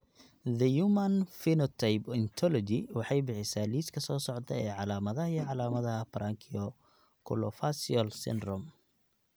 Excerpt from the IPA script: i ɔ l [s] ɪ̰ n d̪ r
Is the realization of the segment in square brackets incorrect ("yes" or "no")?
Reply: no